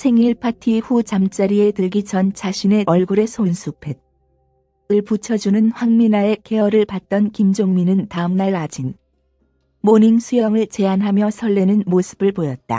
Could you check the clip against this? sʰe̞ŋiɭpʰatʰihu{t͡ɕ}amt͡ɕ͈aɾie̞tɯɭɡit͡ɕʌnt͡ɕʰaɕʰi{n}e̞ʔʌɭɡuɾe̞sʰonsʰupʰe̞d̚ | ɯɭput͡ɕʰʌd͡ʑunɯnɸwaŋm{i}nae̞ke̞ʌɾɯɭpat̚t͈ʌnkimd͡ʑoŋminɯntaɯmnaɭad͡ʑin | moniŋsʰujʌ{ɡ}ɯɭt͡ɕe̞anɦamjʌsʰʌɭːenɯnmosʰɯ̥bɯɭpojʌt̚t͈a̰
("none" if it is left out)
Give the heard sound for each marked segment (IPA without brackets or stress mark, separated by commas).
t͡ɕ, n, i, ŋ